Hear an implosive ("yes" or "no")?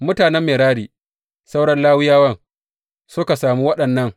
yes